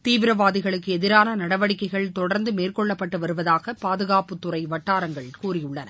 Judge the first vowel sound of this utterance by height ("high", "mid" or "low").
high